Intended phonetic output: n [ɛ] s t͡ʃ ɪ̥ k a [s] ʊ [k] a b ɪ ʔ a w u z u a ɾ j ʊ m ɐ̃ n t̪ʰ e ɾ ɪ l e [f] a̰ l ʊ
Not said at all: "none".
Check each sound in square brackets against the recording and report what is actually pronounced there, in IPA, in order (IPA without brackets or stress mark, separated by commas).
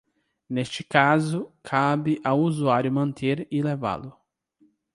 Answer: e, z, kʰ, v